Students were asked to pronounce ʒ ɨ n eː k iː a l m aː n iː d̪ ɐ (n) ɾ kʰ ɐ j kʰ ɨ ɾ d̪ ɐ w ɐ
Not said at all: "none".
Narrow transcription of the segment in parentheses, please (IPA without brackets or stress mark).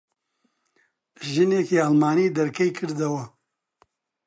none